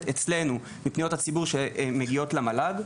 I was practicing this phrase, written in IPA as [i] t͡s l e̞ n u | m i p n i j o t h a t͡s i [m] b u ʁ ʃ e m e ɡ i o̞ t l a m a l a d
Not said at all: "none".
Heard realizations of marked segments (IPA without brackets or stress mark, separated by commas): e, none